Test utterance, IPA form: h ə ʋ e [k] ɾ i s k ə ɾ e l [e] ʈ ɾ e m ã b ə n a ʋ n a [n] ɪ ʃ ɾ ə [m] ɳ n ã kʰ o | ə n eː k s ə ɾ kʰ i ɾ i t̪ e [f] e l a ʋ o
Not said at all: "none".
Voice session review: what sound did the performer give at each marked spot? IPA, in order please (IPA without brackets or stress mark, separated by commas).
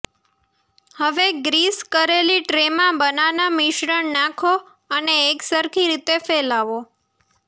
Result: ɡ, i, m, none, f